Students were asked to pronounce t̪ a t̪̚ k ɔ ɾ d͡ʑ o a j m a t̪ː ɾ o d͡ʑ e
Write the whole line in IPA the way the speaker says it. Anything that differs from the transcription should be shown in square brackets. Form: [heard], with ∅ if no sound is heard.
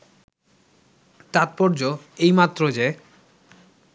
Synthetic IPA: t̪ a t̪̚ [p] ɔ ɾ d͡ʑ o [e] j m a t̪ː ɾ o d͡ʑ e